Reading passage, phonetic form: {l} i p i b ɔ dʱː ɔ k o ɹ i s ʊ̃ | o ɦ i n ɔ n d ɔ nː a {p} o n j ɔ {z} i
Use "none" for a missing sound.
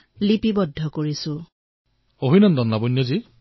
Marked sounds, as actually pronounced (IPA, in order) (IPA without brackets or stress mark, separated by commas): l, b, z